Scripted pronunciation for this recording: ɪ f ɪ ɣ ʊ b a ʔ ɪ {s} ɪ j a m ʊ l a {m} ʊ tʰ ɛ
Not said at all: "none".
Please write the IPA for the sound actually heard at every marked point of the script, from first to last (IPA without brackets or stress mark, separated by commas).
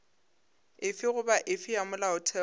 f, none